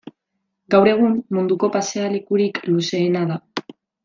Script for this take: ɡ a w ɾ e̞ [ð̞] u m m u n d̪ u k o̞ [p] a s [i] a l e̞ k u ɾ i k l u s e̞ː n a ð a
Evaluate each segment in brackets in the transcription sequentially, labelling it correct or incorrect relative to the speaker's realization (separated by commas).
incorrect, correct, incorrect